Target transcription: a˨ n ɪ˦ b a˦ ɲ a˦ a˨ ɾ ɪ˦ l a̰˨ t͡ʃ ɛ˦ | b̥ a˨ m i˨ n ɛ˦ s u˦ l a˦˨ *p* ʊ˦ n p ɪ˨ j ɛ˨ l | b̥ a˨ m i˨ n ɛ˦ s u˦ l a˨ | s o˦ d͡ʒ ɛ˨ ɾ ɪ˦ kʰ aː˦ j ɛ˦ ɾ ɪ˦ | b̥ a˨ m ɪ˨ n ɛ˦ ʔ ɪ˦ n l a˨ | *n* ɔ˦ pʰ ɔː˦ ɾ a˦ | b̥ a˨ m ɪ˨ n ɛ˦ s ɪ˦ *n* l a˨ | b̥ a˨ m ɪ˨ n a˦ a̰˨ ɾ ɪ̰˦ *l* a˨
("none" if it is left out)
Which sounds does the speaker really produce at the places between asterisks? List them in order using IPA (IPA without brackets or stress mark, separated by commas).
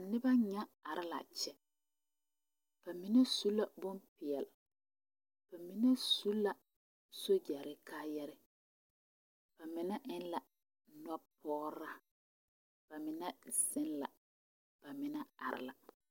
b, n, n, l